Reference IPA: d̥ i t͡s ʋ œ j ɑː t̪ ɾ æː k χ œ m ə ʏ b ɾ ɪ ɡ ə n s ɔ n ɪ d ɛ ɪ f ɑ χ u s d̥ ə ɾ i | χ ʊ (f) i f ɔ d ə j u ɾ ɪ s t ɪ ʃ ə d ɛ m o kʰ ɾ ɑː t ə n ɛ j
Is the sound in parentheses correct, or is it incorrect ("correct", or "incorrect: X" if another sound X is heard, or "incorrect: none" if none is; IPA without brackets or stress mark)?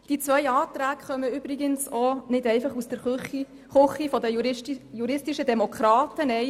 incorrect: χ